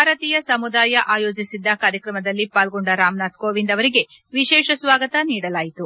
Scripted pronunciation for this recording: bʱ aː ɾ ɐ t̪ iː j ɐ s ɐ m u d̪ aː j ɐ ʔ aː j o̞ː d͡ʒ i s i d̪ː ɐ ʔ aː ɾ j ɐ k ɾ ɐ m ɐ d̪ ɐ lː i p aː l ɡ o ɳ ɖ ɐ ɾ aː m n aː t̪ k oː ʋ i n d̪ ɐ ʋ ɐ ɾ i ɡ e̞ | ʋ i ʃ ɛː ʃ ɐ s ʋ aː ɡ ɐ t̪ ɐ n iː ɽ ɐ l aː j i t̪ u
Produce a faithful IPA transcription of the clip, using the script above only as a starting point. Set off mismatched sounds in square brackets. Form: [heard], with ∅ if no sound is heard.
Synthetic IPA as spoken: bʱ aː ɾ ɐ t̪ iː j ɐ s ɐ m u d̪ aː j ɐ ʔ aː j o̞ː d͡ʒ i s i d̪ː ɐ [k] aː ɾ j ɐ k ɾ ɐ m ɐ d̪ ɐ lː i p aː l ɡ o ɳ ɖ ɐ ɾ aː m n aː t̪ k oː ʋ i n d̪ ɐ ʋ ɐ ɾ i ɡ e̞ | ʋ i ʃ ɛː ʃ ɐ s ʋ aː ɡ ɐ t̪ ɐ n iː ɽ ɐ l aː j i t̪ u